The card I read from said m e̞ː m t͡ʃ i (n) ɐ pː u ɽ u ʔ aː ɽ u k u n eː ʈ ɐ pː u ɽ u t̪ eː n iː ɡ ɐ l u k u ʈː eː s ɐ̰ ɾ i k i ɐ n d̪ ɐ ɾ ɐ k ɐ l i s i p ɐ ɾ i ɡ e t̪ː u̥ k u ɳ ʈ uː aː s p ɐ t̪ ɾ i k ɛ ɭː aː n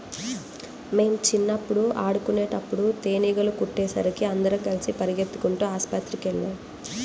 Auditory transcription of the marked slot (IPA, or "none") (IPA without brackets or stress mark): nː